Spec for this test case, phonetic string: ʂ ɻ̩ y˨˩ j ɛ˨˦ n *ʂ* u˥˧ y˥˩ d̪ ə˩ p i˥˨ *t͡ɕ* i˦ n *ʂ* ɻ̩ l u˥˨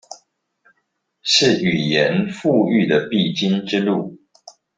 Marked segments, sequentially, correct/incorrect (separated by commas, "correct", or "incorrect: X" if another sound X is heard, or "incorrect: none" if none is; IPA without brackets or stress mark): incorrect: f, correct, incorrect: ʈ͡ʂ